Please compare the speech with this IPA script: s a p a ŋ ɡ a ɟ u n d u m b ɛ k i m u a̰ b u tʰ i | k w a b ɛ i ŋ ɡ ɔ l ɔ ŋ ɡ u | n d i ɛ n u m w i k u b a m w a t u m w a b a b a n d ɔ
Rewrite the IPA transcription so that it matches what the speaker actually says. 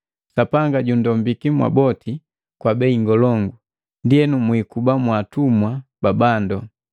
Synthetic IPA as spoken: s a p a ŋ ɡ a ɟ u n d ɔ m b i k i m w a̰ b ɔ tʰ i | k w a b ɛ i ŋ ɡ ɔ l ɔ ŋ ɡ u | n d i ɛ n u m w i k u b a m w a t u m w a b a b a n d ɔ